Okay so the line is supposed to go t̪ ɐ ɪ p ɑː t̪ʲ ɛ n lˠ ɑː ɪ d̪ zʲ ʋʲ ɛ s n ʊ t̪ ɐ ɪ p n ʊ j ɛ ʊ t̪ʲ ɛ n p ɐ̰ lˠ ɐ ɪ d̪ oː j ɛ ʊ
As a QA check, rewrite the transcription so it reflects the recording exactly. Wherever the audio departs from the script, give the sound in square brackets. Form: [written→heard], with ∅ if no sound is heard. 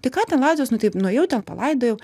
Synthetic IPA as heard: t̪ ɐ ɪ [p→k] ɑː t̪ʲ ɛ n lˠ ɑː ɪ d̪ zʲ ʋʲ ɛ s n ʊ t̪ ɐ ɪ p n ʊ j ɛ ʊ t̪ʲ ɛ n p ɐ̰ lˠ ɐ ɪ d̪ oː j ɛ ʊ

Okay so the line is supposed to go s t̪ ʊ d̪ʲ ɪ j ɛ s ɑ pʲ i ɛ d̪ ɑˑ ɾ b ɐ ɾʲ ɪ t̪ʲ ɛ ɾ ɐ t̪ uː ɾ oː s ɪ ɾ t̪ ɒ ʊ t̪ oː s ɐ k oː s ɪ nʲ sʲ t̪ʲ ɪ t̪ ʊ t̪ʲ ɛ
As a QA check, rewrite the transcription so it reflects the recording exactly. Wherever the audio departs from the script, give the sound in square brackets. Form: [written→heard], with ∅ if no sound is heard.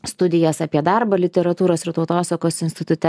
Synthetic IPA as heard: s t̪ ʊ d̪ʲ ɪ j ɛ s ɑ pʲ i ɛ d̪ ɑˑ ɾ b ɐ [ɾʲ→lʲ] ɪ t̪ʲ ɛ ɾ ɐ t̪ uː ɾ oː s ɪ ɾ t̪ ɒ ʊ t̪ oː s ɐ k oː s ɪ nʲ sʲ t̪ʲ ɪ t̪ ʊ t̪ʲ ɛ

